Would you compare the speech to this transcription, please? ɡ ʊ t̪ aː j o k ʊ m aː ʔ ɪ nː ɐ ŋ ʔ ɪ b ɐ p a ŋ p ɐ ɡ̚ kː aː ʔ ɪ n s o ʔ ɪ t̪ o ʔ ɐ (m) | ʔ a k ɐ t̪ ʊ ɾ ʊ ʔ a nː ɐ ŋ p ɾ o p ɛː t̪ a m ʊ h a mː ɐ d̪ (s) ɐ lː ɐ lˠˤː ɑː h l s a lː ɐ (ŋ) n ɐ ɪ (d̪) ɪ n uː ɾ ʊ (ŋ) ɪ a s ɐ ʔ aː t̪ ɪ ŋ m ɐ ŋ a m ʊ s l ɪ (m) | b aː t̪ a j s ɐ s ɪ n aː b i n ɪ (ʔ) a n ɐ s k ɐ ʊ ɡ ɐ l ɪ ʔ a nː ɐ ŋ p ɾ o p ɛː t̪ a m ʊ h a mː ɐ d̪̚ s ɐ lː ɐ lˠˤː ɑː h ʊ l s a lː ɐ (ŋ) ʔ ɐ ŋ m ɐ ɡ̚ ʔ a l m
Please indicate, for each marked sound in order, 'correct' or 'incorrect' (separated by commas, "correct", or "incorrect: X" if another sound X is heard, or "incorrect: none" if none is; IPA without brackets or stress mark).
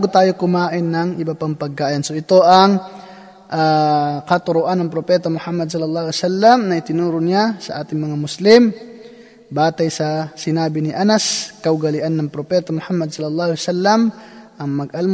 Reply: incorrect: ŋ, correct, incorrect: m, incorrect: t̪, incorrect: n, correct, correct, incorrect: m